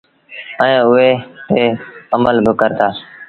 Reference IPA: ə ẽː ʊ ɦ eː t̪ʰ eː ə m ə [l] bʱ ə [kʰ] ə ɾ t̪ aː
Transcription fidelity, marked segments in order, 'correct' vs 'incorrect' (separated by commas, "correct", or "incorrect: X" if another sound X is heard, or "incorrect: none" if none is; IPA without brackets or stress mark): correct, incorrect: k